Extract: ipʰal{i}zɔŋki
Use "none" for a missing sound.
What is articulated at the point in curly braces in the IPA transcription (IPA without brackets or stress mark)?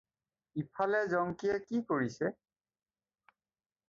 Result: ɛ